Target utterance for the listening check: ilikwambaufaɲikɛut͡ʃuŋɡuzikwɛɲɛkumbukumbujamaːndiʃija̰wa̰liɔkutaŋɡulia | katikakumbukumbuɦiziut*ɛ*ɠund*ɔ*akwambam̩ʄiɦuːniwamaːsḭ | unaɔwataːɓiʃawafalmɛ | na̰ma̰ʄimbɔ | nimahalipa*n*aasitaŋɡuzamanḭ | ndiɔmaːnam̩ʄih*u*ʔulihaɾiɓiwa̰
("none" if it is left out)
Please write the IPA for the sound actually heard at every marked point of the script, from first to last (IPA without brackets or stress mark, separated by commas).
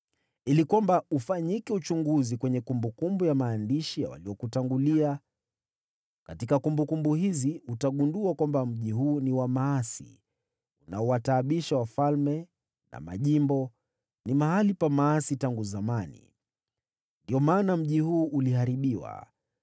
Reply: a, u, m, uː